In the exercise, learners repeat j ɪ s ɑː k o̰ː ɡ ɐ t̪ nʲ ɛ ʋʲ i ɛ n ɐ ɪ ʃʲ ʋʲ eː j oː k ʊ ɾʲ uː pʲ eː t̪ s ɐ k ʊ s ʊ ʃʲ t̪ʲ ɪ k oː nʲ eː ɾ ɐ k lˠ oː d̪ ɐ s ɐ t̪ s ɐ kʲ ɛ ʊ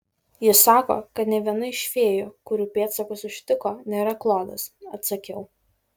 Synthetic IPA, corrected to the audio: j ɪ s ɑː k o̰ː k ɐ t̪ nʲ ɛ ʋʲ i ɛ n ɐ ɪ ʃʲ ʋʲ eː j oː k ʊ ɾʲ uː pʲ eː t̪ s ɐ k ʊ s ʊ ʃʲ t̪ʲ ɪ k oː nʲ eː ɾ ɐ k lˠ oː d̪ ɐ s ɐ t̪ s ɐ kʲ ɛ ʊ